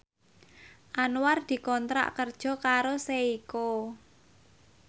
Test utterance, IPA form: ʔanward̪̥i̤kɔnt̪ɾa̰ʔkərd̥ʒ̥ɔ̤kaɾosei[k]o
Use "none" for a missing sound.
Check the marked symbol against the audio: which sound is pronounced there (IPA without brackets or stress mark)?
k